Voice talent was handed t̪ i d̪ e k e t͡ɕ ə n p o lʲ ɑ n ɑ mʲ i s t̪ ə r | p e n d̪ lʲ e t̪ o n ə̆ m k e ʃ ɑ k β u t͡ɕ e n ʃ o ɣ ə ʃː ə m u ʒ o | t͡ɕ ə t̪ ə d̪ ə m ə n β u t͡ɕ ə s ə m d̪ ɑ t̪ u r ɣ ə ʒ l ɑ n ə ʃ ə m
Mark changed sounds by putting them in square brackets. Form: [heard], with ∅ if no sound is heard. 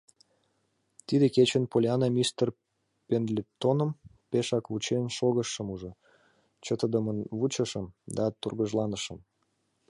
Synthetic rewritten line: t̪ i d̪ e k e t͡ɕ ə n p o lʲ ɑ n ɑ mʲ i s t̪ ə r | p e n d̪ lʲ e t̪ o n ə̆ m [p] e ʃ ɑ k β u t͡ɕ e n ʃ o ɣ ə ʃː ə m u ʒ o | t͡ɕ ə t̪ ə d̪ ə m ə n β u t͡ɕ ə [ʃ] ə m d̪ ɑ t̪ u r ɣ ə ʒ l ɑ n ə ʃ ə m